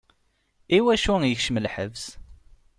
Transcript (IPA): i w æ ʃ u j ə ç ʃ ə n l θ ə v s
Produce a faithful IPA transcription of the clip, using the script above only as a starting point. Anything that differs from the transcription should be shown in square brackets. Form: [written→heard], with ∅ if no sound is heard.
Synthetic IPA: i w æ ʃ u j ə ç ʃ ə [n→m] l [θ→ħ] ə v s